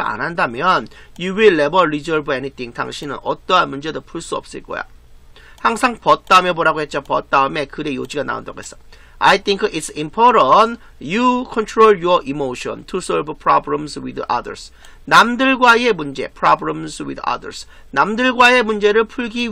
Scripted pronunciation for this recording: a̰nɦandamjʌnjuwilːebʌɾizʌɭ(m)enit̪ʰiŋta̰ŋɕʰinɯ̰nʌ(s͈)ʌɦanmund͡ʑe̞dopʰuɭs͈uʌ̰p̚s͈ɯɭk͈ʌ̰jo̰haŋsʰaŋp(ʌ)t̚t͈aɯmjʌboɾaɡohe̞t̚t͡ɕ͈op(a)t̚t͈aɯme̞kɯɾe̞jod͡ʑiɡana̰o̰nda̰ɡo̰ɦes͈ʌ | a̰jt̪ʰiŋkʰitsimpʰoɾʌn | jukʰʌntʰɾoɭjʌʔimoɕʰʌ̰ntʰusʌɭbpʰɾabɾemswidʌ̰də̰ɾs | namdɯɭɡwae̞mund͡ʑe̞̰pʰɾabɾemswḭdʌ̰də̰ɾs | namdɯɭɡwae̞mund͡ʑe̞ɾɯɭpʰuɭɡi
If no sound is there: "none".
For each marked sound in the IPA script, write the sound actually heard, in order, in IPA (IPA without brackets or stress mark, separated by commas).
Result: b, t͈, ʌ, ʌ